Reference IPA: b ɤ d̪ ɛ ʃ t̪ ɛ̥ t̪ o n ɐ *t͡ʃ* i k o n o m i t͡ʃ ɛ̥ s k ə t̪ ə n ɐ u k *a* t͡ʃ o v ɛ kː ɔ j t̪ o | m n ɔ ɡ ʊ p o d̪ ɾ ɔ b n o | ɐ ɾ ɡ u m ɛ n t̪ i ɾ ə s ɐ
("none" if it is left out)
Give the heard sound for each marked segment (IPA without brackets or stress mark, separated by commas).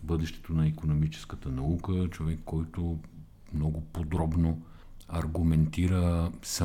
none, ə